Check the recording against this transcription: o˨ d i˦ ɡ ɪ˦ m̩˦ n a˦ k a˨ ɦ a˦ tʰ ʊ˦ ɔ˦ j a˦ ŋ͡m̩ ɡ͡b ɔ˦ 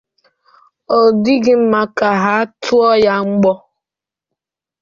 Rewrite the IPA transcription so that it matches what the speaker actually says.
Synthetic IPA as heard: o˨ d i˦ ɡ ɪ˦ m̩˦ m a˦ k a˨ ɦ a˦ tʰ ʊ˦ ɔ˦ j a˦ ŋ͡m̩ ɡ͡b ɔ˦